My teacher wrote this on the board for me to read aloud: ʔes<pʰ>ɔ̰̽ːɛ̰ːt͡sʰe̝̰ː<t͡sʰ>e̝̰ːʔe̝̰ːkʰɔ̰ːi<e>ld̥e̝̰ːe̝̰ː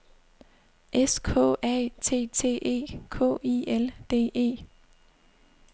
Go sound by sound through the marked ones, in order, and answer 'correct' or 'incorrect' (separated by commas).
incorrect, correct, correct